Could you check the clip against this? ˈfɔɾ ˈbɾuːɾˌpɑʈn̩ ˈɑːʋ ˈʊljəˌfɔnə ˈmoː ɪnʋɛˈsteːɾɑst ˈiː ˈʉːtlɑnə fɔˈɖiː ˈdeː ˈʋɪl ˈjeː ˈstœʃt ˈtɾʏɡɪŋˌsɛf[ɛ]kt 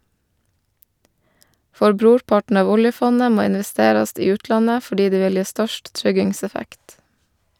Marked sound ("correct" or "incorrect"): incorrect